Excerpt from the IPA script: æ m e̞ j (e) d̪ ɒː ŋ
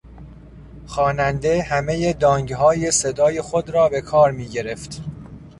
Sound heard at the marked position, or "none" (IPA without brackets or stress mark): e